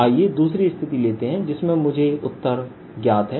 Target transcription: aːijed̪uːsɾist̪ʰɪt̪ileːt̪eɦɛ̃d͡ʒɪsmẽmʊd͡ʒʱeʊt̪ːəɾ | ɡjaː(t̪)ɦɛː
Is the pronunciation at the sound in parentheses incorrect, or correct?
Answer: correct